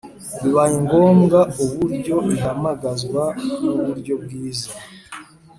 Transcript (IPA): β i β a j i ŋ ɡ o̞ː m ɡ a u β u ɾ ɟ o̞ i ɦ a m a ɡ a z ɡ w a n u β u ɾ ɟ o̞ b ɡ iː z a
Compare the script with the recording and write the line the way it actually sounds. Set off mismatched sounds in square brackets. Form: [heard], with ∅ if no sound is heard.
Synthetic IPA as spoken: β i β a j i ŋ ɡ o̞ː m ɡ a u β u ɾ ɟ o̞ i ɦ a m a ɡ a z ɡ w a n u β u ɾ ɟ o̞ b ɡ iː z a